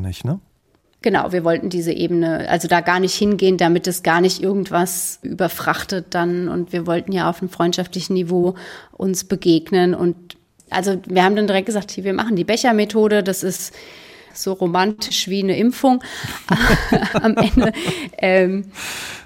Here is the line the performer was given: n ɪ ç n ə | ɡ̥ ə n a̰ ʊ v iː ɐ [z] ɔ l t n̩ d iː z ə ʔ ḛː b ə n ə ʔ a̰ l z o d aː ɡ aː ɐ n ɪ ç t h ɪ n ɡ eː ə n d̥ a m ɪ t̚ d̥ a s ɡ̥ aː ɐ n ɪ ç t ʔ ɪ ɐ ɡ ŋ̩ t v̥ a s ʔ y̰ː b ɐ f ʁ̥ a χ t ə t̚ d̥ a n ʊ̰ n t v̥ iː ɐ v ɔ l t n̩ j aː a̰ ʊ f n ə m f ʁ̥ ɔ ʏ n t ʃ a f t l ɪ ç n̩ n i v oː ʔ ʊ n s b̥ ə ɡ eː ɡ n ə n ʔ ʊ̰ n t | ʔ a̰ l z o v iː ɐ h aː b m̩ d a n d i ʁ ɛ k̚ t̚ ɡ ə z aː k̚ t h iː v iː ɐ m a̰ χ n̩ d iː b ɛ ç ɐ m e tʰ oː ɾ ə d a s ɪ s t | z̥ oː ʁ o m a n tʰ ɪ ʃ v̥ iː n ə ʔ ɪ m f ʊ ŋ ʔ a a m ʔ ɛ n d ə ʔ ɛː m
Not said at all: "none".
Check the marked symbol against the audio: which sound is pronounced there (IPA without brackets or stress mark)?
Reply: v